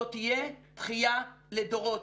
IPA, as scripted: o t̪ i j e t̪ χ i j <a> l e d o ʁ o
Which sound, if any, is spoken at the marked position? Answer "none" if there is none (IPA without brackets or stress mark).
a